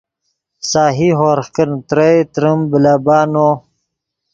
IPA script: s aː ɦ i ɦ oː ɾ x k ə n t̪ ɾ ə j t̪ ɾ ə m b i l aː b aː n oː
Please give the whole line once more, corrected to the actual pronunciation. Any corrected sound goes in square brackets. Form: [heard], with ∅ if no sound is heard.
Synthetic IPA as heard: s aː ɦ i ɦ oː ɾ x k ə n t̪ ɾ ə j t̪ ɾ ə m b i l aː b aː n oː